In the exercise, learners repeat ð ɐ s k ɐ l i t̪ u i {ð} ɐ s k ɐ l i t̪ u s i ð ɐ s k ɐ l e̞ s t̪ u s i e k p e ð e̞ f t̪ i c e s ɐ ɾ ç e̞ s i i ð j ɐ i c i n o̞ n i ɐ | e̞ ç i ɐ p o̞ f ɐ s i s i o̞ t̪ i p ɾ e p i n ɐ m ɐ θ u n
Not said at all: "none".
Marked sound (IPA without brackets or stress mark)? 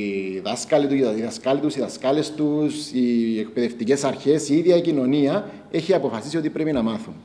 ð